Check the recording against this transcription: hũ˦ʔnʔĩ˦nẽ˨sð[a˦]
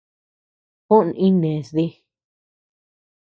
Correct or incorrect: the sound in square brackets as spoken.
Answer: incorrect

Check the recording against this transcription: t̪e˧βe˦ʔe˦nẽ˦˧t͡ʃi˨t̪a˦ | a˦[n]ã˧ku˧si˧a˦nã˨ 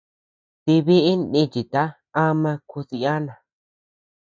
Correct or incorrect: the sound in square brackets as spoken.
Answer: incorrect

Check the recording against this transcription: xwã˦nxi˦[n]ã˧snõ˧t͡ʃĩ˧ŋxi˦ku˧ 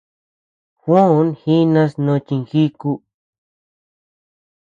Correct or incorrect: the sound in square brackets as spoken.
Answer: correct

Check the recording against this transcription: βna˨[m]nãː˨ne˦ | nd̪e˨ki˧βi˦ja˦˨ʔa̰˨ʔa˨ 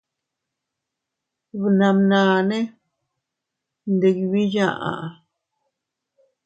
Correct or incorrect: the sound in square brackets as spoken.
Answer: correct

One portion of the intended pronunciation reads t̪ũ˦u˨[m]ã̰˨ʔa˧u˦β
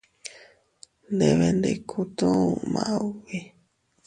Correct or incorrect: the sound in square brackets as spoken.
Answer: correct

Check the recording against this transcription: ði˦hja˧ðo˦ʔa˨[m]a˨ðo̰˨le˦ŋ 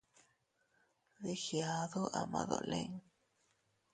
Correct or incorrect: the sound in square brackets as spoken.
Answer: correct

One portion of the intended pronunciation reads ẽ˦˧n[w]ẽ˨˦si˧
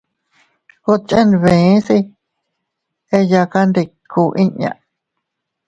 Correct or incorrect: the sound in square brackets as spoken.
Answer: incorrect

